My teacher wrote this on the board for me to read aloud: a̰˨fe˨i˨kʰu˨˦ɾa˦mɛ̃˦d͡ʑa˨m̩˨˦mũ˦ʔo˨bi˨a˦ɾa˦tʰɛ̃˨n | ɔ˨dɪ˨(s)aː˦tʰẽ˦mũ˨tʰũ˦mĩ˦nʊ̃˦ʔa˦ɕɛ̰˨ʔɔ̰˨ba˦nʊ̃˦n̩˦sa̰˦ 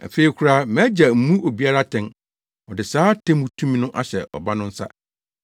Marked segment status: correct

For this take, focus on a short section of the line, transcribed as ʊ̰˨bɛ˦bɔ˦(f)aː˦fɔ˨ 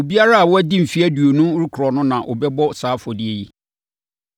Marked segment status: incorrect: s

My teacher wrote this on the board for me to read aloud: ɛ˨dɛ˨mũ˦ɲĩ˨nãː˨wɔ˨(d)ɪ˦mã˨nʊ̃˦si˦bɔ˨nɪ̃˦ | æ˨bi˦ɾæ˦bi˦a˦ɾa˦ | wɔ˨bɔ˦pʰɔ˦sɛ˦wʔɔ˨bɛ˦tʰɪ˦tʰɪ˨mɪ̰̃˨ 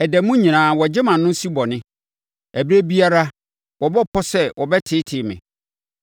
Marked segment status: incorrect: d͡ʑ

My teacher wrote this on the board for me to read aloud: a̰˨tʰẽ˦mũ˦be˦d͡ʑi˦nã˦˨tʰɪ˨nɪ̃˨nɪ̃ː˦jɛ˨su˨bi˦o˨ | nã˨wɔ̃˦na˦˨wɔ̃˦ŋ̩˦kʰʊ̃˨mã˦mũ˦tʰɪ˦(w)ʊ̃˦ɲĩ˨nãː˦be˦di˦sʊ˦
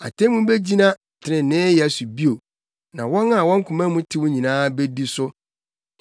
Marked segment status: correct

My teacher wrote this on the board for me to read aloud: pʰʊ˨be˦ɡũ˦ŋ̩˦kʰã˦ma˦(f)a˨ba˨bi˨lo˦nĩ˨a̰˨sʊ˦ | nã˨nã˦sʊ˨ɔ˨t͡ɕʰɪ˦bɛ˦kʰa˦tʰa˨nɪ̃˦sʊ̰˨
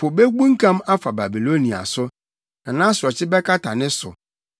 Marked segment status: correct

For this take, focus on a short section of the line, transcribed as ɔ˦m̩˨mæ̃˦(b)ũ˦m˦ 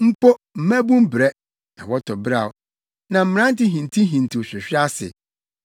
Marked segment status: correct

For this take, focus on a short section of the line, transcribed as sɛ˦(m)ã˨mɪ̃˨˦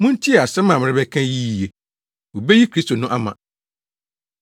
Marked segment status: correct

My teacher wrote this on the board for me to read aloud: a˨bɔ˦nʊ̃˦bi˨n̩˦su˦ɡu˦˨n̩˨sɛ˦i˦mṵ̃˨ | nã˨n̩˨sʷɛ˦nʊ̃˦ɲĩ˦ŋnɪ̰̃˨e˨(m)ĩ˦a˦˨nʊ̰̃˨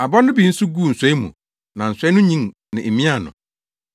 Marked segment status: correct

